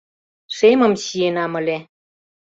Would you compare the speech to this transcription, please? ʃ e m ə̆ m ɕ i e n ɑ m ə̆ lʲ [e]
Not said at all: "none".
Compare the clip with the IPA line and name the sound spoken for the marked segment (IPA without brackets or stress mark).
e